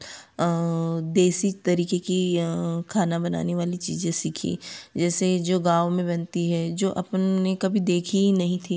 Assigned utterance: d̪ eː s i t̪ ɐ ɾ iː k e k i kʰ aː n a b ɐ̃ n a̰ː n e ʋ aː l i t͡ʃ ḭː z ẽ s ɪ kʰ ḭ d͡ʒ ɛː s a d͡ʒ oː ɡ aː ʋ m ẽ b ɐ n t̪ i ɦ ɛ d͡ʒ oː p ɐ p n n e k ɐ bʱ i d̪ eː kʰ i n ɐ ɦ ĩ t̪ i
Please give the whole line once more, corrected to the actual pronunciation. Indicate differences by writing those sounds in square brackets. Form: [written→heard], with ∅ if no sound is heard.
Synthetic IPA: d̪ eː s i t̪ ɐ ɾ iː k e k i kʰ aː n a b [ɐ̃→ɐ] n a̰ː n e ʋ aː l i t͡ʃ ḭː z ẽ s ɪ kʰ ḭ d͡ʒ ɛː s [a→e] d͡ʒ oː ɡ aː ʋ m ẽ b ɐ n t̪ i ɦ ɛ d͡ʒ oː [p→ʔ] ɐ p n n e k ɐ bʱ i d̪ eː kʰ i n ɐ ɦ ĩ [t̪→t̪ʰ] i